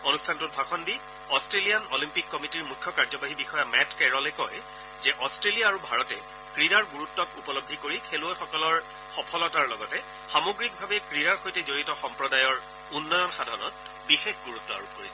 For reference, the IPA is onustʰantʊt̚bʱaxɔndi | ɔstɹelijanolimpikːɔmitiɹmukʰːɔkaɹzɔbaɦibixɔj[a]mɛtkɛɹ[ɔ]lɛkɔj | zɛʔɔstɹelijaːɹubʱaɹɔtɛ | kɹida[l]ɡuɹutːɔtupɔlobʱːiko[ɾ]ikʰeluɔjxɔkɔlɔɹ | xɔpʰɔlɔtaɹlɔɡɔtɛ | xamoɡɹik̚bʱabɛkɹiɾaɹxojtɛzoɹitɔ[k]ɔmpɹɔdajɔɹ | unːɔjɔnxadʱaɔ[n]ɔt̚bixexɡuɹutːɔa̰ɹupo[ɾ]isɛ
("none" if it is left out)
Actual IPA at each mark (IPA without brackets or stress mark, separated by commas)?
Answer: a, ɔ, ɹ, ɹ, x, n, ɹ